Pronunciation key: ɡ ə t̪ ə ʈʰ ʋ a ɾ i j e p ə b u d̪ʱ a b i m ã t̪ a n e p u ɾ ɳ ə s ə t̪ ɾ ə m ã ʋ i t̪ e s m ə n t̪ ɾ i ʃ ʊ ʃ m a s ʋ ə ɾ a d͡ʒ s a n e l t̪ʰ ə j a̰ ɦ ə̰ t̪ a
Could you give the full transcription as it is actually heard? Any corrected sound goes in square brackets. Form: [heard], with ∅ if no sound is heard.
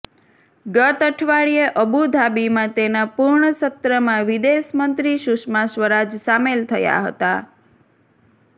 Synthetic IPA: ɡ ə t̪ ə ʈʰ ʋ a [ɭ] i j e [ʔ] ə b u d̪ʱ a b i m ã t̪ [e] n [a] p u ɾ ɳ ə s ə t̪ ɾ ə m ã ʋ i [d̪] e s m ə n t̪ ɾ i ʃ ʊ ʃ m a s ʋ ə ɾ a d͡ʒ s a [m] e l t̪ʰ ə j a̰ ɦ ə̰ t̪ a